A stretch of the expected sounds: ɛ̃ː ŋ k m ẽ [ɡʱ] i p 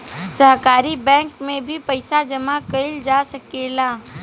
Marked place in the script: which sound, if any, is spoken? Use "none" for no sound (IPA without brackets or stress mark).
bʱ